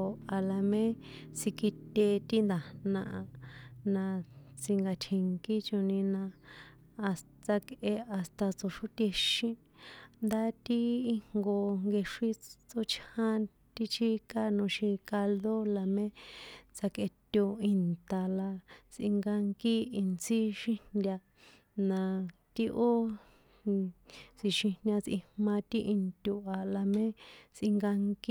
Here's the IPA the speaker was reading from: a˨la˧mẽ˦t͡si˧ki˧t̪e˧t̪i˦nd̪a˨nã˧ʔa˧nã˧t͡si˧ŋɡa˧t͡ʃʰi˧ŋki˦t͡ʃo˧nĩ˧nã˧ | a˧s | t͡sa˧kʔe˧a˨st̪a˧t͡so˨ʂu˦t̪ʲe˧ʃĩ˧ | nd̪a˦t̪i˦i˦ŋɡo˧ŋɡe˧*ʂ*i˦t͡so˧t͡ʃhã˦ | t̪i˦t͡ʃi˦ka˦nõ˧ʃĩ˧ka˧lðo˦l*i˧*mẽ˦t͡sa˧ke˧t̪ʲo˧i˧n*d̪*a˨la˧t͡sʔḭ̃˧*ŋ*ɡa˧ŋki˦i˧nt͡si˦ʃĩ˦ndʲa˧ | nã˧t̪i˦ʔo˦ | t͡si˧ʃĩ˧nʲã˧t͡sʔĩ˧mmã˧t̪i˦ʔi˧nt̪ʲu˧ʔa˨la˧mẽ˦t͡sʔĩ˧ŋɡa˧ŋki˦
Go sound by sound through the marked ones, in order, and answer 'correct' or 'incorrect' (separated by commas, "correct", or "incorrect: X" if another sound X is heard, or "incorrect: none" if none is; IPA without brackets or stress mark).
correct, incorrect: a˧, incorrect: t̪, correct